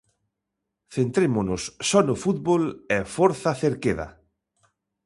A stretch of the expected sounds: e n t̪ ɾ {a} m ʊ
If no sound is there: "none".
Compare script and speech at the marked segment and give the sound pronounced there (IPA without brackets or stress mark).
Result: e